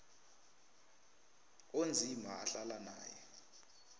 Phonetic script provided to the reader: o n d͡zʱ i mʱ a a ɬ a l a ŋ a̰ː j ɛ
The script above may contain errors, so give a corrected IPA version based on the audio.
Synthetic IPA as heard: o n d͡zʱ i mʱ a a ɬ a l a n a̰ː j ɛ

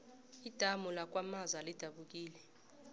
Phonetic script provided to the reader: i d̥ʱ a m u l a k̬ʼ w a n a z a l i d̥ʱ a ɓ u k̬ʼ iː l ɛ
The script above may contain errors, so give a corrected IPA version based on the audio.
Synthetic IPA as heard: i d̥ʱ a m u l a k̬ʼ w a m a z a l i d̥ʱ a ɓ u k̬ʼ iː l ɛ

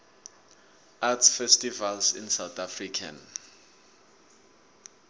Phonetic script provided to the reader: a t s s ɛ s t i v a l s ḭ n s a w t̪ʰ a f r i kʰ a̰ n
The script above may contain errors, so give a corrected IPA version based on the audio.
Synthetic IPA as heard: a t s f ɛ s t i v a l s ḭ n s a w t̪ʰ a f r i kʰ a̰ n

